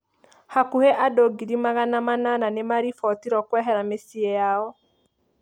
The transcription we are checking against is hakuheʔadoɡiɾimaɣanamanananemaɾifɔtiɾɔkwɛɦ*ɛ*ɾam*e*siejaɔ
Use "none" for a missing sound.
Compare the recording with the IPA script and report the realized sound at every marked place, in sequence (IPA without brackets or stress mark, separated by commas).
ɛ, e